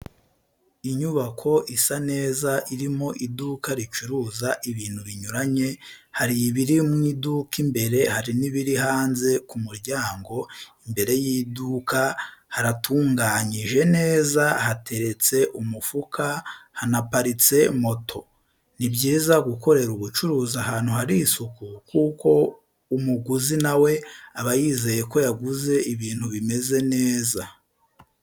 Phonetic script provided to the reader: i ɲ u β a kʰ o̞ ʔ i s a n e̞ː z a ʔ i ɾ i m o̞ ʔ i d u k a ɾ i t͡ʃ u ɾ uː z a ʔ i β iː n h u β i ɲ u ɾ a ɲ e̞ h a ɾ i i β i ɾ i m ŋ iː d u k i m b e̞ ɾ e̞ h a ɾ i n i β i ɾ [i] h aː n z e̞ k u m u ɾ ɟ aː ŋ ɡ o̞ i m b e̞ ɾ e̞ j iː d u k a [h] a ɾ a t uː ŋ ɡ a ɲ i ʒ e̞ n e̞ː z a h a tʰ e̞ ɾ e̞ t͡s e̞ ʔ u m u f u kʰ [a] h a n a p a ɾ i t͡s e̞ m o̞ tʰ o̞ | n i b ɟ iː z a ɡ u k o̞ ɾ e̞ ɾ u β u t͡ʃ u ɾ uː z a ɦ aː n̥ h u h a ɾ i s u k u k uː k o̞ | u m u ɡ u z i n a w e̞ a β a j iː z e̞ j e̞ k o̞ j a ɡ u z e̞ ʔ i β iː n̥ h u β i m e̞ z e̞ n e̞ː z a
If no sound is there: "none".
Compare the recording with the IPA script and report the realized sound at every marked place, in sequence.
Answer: i, h, a

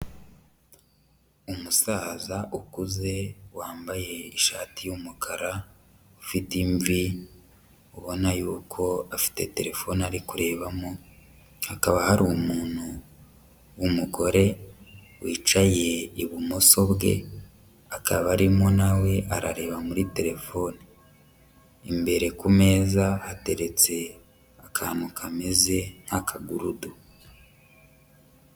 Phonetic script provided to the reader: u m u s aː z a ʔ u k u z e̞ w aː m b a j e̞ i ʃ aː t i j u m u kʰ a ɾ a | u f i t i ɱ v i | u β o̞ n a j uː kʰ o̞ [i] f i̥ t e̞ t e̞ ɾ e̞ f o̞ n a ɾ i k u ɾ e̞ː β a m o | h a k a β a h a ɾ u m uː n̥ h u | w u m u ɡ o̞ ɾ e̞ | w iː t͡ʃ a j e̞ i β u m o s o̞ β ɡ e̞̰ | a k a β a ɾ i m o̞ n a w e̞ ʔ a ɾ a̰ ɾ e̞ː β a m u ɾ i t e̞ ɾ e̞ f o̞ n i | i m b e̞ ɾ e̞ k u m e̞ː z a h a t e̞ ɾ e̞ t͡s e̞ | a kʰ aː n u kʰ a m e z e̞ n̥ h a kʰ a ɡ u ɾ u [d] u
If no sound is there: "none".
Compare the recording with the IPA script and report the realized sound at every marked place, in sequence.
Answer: a, d

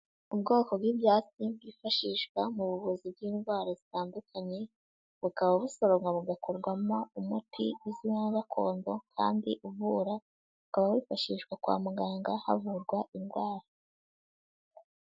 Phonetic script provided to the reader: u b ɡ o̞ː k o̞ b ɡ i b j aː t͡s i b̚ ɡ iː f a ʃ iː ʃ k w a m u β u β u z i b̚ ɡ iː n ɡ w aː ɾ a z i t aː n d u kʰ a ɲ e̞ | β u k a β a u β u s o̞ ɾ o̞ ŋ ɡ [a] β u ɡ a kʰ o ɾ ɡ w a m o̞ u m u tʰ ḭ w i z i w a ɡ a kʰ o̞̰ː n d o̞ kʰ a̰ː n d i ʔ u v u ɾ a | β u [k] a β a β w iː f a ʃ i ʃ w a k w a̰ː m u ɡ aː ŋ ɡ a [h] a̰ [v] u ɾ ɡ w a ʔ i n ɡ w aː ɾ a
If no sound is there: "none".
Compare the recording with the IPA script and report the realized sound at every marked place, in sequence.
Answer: a, k, h, v

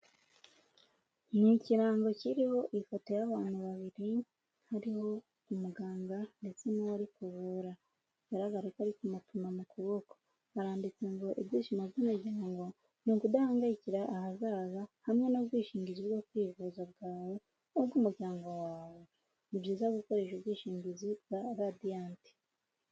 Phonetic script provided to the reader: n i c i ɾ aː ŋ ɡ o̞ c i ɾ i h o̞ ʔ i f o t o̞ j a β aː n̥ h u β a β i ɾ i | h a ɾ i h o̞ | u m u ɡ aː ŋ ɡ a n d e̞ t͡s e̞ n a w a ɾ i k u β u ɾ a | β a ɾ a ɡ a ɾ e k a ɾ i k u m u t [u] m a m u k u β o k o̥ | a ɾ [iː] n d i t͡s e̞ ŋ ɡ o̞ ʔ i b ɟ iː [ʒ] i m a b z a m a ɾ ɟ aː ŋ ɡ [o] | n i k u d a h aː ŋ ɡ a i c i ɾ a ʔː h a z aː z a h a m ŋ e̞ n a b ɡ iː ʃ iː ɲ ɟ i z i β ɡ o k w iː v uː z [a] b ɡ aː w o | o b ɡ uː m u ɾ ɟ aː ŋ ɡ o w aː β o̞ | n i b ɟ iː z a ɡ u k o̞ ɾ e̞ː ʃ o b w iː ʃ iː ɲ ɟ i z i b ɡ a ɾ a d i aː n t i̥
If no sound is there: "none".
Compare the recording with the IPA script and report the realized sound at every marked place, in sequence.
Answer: u, aː, ʃ, o, a

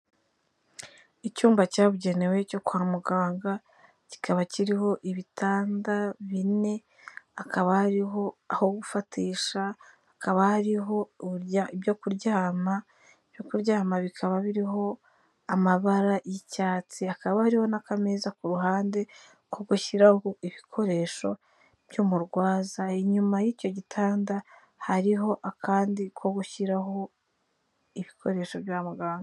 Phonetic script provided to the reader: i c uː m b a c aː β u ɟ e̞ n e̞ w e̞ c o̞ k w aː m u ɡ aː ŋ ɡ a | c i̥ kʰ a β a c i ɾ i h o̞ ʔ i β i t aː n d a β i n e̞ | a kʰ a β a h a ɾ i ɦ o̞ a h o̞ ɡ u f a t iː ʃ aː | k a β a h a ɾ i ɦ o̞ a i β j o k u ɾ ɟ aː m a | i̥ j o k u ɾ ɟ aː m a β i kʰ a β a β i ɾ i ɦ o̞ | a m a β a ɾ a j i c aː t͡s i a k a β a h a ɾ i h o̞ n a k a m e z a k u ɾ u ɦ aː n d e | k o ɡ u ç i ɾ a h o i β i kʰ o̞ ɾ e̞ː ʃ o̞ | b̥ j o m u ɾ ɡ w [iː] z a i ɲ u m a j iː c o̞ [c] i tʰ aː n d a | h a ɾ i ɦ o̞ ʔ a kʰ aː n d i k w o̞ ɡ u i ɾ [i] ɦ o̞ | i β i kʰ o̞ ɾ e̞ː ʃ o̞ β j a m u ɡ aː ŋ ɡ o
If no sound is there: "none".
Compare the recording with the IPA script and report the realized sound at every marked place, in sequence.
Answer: aː, ɟ, a

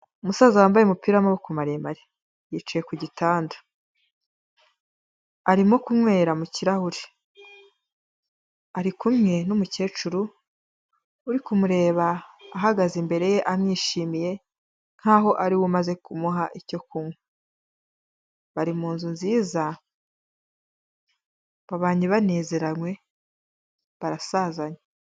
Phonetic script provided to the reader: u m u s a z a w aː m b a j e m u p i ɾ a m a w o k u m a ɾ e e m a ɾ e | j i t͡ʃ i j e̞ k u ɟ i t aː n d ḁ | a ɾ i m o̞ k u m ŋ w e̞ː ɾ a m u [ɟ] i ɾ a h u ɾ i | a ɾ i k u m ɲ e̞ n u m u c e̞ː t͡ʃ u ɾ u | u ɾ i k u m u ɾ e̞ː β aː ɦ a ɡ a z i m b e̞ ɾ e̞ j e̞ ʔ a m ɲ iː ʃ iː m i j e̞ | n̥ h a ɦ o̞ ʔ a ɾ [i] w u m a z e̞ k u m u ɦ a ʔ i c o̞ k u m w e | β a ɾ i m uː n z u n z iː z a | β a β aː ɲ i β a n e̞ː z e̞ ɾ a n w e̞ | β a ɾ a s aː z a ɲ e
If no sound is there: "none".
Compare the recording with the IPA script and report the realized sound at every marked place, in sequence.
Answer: c, i

